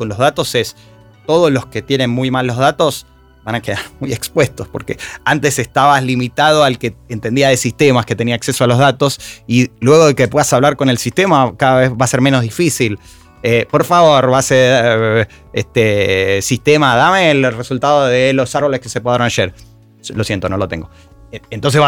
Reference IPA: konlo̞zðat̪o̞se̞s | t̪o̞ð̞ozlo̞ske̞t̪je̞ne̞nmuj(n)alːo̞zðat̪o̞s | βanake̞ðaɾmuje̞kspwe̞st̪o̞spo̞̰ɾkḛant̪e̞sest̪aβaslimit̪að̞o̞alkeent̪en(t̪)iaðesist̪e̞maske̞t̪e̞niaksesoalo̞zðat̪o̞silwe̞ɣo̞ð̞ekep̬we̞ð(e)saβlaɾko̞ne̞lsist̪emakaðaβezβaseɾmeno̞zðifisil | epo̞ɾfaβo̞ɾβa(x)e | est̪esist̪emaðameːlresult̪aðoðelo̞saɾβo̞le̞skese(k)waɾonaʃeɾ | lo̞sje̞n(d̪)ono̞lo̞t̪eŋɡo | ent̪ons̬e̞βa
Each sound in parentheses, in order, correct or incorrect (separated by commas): incorrect, incorrect, incorrect, incorrect, incorrect, incorrect